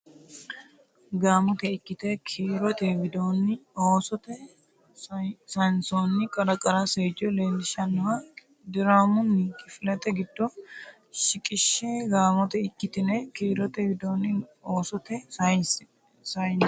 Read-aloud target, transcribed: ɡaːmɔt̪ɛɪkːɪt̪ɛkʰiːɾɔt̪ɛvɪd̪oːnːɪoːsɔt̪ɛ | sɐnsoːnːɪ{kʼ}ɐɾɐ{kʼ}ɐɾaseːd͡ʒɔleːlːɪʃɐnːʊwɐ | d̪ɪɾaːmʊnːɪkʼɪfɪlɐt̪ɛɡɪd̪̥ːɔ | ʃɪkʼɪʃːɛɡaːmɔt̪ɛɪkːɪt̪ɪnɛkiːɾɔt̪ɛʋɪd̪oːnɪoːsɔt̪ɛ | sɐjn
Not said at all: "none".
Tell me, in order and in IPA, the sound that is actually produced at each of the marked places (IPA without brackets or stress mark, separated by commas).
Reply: kʼ, kʼ